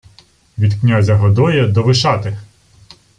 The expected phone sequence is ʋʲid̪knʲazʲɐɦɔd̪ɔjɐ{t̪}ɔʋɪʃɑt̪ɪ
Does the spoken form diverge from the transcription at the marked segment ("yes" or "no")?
yes